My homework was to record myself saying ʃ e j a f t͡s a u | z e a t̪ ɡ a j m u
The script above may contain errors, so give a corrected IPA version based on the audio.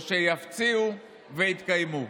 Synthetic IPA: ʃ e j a f t͡s i u | v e i t̪ k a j m u

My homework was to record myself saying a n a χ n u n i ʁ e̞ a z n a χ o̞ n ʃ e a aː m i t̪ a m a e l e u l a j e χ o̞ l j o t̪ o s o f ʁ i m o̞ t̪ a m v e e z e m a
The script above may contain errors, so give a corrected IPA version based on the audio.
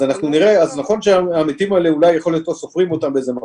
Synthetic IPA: a n a χ n u n i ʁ e̞ a z n a χ o̞ n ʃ e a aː m i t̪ i m a e l e u l a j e χ o̞ l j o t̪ o s o f ʁ i m o̞ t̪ a m b e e z e m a

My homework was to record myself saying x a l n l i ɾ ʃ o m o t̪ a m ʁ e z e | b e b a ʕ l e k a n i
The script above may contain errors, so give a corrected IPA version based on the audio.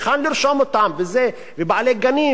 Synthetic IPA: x a n l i ɾ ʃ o m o t̪ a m v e z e | v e b a ʕ l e ɡ a n i

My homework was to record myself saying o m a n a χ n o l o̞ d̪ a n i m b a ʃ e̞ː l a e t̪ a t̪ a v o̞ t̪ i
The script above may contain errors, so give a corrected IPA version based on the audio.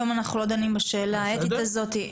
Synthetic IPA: o m a n a χ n u l o̞ d̪ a n i m b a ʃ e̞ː l a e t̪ i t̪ a z o̞ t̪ i

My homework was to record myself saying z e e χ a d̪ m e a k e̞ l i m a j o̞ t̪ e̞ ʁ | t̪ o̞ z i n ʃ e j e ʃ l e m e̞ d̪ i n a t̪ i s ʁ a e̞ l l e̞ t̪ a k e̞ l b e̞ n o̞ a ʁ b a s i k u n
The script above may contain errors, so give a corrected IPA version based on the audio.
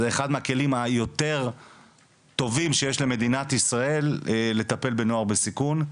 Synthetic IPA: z e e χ a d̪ m e a k e̞ l i m a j o̞ t̪ e̞ ʁ | t̪ o̞ v i m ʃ e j e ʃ l e m e̞ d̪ i n a t̪ i s ʁ a e̞ l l e̞ t̪ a p e̞ l b e̞ n o̞ a ʁ b e s i k u n

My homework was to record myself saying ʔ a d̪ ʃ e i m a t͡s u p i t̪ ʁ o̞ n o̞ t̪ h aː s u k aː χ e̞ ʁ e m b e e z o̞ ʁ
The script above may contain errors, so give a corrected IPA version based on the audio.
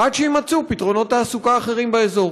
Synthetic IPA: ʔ a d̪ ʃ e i m a t͡s u p i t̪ ʁ o̞ n o̞ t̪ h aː s u k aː χ e̞ ʁ i m b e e z o̞ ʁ

